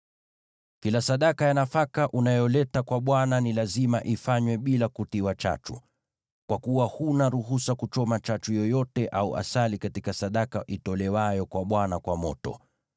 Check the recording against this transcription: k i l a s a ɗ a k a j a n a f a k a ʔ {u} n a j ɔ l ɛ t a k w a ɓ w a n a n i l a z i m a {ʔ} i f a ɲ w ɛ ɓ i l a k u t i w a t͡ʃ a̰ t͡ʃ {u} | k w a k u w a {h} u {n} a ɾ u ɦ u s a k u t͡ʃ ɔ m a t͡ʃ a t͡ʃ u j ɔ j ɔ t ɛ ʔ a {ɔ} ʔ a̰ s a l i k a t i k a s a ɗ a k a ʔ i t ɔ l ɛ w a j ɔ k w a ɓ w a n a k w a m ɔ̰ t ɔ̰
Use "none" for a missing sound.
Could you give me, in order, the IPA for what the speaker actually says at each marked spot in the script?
u, ʔ, u, h, n, u

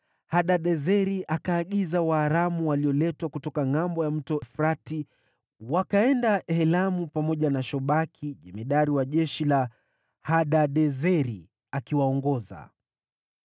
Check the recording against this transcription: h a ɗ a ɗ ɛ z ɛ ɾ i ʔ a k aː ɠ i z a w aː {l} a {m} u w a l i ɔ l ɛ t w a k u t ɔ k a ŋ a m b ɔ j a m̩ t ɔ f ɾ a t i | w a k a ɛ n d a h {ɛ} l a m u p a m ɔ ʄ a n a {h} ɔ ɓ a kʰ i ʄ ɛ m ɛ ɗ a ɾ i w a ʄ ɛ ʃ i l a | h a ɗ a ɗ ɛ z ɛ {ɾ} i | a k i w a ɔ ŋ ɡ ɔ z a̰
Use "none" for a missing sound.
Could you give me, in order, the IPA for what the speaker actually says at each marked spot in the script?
ɾ, m, ɛ, ʃ, ɾ

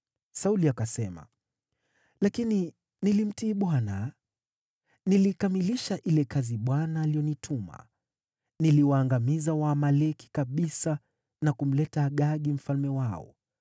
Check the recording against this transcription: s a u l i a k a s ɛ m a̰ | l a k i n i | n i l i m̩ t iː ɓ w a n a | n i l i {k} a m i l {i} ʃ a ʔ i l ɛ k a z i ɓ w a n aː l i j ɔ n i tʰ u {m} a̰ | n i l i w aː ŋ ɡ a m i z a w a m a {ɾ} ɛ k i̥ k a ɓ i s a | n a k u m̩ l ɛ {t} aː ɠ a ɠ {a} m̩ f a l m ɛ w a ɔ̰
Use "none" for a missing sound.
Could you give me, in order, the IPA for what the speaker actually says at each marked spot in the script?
k, i, m, l, t, i

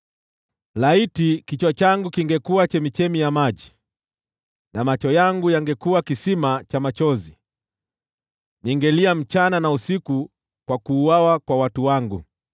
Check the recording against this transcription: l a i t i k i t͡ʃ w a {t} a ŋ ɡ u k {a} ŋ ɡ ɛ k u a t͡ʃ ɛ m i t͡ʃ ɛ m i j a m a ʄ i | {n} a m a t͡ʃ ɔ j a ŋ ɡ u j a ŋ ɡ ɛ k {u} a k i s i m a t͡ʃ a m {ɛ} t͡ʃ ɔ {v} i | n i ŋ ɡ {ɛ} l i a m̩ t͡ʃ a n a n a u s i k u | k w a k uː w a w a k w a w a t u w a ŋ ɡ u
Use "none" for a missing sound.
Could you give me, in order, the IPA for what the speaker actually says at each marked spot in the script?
t͡ʃ, i, n, u, a, z, ɛ

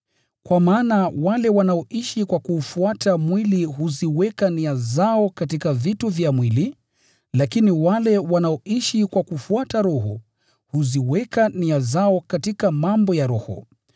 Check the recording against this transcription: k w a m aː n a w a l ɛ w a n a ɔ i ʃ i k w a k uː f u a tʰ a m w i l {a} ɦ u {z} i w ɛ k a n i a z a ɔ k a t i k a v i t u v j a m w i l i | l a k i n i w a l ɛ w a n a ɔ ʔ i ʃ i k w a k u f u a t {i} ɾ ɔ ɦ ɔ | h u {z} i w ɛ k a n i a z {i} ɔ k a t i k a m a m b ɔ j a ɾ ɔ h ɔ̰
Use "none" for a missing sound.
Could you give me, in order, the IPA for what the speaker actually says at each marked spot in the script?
i, z, a, z, a

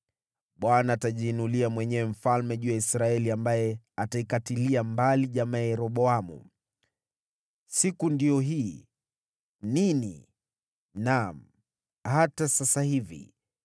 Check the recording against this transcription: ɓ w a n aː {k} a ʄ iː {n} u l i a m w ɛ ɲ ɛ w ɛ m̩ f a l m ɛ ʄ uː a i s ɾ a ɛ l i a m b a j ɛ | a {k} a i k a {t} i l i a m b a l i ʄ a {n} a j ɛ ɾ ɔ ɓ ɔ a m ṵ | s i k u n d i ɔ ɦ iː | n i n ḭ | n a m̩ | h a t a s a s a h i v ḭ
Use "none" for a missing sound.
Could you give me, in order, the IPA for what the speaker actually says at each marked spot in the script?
t, n, t, t, m

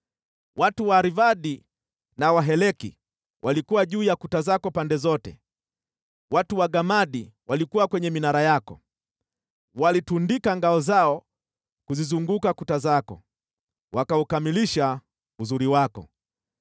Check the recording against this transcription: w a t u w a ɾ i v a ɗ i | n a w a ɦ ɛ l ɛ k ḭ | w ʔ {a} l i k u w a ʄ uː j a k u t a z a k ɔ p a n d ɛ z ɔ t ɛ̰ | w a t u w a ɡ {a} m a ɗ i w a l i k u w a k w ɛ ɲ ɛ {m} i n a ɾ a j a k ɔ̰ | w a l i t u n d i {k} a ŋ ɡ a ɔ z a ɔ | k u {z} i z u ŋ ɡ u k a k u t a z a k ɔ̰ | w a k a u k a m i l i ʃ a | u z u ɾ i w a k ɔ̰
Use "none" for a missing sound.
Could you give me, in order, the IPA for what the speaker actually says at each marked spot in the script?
a, a, m, k, z

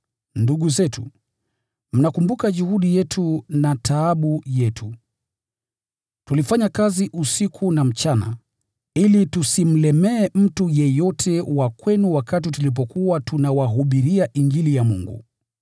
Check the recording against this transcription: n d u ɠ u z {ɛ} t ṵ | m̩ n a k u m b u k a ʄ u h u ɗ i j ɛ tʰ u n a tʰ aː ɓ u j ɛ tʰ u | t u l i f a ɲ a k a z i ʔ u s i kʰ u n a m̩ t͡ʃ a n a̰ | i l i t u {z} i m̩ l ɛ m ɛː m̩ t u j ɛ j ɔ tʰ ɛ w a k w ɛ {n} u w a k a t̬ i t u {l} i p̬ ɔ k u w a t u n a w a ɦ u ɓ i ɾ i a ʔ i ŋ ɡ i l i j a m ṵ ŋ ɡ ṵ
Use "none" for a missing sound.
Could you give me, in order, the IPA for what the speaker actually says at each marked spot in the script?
ɛ, s, n, l

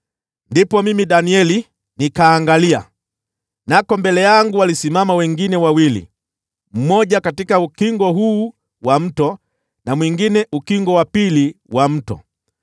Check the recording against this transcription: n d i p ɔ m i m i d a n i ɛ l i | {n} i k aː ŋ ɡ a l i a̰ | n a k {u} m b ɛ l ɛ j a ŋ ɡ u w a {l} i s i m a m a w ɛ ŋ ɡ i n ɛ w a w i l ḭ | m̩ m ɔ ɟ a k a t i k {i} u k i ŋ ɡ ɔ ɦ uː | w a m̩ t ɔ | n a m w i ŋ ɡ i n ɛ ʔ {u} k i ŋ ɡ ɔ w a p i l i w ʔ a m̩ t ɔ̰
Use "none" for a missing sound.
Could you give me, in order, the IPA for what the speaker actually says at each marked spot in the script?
n, ɔ, l, a, u

